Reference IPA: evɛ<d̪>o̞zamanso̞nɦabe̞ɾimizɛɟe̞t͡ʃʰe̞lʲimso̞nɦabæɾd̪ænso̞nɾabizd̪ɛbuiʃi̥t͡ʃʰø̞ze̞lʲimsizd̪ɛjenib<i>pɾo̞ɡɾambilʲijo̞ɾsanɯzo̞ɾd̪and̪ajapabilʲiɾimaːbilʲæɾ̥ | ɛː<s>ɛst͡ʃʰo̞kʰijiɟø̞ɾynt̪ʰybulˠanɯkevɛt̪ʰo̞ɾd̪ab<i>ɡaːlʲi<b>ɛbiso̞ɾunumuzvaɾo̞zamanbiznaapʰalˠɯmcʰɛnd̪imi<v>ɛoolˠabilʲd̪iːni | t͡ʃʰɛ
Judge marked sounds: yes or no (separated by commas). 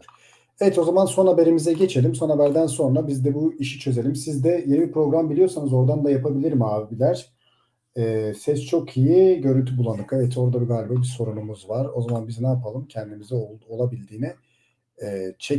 no, yes, yes, yes, yes, no